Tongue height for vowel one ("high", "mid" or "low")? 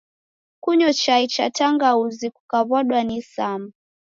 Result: high